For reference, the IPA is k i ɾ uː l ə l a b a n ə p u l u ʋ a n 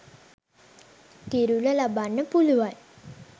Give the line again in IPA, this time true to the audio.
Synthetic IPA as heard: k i ɾ u l ə l a b a nː ə p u l u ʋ a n